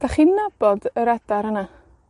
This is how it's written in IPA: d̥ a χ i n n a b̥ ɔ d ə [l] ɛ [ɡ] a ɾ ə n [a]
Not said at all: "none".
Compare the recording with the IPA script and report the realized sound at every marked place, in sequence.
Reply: ɾ, d, a

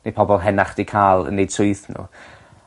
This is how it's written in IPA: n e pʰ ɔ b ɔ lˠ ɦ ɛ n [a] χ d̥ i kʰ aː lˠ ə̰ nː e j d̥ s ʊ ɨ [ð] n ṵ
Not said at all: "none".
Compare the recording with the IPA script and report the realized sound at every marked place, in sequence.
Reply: a, θ

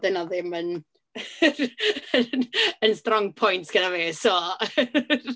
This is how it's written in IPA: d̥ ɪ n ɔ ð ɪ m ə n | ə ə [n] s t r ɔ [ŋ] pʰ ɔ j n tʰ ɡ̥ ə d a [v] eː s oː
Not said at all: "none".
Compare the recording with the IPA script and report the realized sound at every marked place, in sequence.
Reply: n, ŋ, v

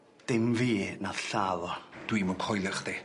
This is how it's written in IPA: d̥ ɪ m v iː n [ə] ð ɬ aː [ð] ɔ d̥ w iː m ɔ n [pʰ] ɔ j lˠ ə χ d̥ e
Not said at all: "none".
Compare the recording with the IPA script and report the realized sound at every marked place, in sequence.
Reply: a, ð, kʰ

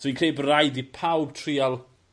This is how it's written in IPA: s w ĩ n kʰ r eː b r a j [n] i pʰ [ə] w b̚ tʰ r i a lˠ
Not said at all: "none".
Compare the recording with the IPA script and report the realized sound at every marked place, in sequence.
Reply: d, a

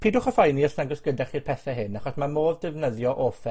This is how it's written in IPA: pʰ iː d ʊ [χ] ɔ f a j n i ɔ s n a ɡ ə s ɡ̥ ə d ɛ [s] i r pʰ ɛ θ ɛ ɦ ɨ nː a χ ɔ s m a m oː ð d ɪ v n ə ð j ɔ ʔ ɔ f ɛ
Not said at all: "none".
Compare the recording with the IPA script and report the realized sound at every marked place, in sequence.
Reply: χ, χ

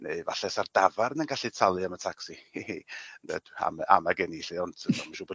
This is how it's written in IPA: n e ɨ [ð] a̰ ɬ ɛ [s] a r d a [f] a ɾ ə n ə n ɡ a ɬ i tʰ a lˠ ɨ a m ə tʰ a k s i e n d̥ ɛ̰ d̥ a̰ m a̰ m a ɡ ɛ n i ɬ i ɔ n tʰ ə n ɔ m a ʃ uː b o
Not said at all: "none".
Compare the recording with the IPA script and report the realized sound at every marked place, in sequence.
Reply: v, s, v

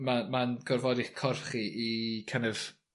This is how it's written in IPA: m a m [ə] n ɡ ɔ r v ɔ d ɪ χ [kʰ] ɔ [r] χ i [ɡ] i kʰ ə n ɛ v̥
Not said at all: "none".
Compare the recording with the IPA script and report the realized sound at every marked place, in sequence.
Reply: a, kʰ, r, none

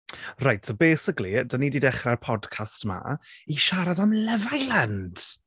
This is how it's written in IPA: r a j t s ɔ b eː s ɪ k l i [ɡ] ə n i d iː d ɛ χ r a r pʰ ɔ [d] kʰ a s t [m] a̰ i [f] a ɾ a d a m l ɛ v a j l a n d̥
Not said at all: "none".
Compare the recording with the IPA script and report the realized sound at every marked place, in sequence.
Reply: d, d, m, ʃ

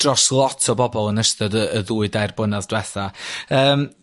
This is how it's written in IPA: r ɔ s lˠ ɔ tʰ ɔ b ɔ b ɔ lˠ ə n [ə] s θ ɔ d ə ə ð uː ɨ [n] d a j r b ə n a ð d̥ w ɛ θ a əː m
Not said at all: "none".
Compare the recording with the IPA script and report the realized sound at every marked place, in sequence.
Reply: ə, none

